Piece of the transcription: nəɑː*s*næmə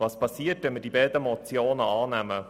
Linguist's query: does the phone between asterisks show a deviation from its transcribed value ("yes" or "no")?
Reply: yes